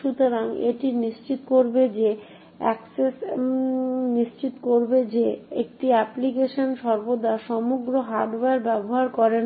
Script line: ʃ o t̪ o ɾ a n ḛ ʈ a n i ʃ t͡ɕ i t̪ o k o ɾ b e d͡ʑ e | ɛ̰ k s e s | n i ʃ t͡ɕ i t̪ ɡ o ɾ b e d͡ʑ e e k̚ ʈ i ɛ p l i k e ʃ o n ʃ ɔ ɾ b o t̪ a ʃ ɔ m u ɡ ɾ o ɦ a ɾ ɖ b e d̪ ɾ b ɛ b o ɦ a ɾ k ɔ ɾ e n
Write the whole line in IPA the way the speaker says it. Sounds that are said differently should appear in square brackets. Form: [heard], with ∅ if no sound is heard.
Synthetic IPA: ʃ [u] t̪ o ɾ a [ŋ] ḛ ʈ [i] n i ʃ t͡ɕ i t̪ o k o ɾ b e d͡ʑ e | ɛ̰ k s e s | n i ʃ t͡ɕ i t̪ [k] o ɾ b e d͡ʑ e e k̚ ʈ i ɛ p l i k e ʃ o n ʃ ɔ ɾ b o [d̪] a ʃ ɔ m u ɡ ɾ o ɦ a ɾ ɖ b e [∅] ɾ b ɛ b o ɦ a ɾ k ɔ ɾ e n